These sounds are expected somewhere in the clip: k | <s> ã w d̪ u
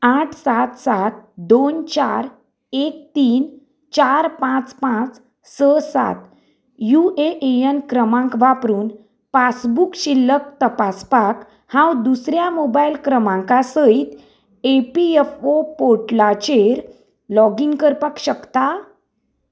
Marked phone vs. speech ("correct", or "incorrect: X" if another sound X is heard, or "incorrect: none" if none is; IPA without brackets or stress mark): incorrect: h